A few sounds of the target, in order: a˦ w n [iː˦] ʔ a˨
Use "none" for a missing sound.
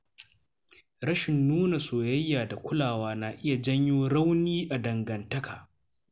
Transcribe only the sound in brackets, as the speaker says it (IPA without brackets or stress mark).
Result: iː˦